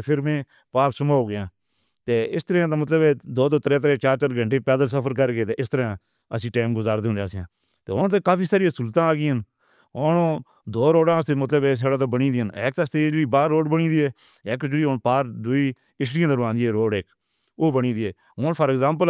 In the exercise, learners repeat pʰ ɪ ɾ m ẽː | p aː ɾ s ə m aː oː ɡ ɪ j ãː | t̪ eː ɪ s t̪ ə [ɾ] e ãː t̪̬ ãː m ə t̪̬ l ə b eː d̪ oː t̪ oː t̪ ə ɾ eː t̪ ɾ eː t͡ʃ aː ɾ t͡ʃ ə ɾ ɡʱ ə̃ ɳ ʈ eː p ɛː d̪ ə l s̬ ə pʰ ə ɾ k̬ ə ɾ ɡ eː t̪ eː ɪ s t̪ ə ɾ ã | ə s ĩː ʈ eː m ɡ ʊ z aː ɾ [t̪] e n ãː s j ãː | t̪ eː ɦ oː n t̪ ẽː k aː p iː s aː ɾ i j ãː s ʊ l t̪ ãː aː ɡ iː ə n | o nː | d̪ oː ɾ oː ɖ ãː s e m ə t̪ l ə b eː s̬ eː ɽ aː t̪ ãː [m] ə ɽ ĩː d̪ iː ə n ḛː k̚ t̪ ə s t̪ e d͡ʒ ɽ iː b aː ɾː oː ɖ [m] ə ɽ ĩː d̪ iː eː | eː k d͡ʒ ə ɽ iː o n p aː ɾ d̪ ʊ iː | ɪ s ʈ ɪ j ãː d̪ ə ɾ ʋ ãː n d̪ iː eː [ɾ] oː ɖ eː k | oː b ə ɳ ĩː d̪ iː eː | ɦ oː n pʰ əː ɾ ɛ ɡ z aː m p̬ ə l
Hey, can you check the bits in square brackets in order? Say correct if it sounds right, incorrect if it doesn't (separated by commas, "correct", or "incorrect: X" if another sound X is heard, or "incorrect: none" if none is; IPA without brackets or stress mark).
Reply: correct, incorrect: d̪, incorrect: b, incorrect: b, correct